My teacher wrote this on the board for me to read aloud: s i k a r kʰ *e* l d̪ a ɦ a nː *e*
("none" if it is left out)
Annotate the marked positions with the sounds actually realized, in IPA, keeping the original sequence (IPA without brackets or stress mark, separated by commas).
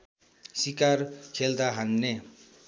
e, e